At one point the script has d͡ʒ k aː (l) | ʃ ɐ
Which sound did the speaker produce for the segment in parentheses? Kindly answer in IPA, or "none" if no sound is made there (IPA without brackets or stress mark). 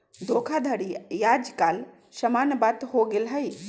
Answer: l